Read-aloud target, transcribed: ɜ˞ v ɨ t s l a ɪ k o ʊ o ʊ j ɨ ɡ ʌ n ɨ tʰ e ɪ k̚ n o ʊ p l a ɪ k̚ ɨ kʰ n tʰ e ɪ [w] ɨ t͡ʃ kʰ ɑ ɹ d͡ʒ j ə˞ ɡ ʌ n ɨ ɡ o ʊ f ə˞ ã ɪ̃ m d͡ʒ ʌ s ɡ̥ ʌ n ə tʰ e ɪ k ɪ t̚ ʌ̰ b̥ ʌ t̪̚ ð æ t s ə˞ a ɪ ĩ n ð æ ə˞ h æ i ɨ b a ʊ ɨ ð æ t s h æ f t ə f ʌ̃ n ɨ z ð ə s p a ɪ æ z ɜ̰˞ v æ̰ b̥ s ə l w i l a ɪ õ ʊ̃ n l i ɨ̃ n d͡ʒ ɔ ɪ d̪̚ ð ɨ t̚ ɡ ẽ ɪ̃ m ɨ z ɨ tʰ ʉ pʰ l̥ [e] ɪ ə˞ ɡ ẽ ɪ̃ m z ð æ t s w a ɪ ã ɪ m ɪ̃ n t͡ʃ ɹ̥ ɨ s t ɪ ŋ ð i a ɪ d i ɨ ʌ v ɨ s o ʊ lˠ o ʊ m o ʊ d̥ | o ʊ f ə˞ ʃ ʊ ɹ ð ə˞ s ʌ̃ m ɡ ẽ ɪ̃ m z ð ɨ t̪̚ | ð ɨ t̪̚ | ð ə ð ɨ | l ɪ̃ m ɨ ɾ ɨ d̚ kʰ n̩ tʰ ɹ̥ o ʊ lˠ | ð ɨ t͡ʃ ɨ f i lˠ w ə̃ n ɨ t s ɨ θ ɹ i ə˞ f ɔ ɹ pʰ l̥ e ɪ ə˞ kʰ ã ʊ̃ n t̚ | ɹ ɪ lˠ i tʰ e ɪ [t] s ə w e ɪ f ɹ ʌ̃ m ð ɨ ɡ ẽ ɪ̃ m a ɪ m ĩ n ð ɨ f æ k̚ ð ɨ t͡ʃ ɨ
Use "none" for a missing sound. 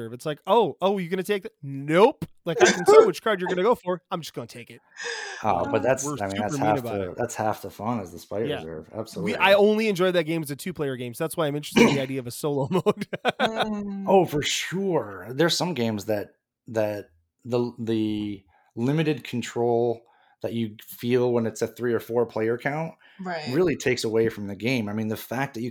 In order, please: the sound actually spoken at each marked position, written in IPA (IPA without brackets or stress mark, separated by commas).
w, e, k